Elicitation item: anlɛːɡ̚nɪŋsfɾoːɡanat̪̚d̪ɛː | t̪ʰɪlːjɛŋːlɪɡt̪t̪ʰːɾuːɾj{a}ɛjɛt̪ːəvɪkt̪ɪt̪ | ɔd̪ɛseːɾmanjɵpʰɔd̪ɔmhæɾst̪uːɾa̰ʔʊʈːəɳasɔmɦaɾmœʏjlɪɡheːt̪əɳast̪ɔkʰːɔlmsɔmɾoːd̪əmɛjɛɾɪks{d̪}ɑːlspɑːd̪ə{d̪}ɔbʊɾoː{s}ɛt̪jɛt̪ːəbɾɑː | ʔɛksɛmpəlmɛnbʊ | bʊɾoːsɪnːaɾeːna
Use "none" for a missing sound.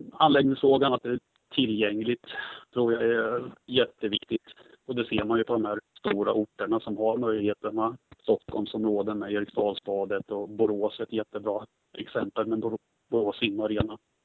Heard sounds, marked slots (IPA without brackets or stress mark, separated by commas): a, t̪, t̪, s